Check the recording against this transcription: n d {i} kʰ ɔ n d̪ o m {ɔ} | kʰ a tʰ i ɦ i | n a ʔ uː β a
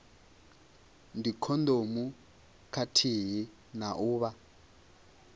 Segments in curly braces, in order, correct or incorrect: correct, incorrect: u

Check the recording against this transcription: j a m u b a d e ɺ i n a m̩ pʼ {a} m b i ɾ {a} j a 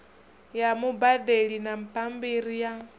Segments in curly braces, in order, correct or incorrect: correct, incorrect: i

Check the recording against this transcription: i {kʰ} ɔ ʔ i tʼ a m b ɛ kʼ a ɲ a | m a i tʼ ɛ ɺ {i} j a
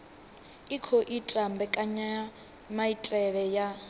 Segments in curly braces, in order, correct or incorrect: correct, incorrect: ɛ

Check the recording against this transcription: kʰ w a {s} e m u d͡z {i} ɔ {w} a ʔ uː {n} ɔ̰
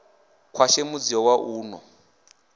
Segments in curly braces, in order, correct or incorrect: incorrect: ʃ, correct, correct, correct

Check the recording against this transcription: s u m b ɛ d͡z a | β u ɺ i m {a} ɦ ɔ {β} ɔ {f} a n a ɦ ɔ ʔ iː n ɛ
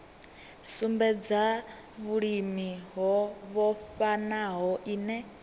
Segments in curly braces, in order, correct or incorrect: incorrect: i, correct, correct

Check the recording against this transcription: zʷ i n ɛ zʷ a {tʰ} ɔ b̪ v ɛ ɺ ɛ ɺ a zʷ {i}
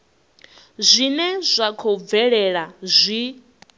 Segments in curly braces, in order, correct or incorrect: incorrect: kʰ, correct

